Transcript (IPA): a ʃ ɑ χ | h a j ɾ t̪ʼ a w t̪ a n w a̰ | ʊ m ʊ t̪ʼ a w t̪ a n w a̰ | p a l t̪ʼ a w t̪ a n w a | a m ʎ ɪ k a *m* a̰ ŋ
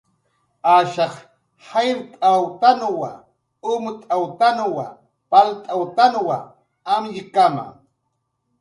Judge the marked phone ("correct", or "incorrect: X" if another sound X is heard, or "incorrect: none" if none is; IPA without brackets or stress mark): correct